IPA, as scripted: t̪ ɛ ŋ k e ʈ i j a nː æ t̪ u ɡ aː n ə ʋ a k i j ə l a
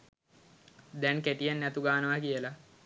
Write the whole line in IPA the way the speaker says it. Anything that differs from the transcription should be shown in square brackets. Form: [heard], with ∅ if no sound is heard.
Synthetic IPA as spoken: [d̪] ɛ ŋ k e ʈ i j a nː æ t̪ u ɡ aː n ə ʋ a k i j ə l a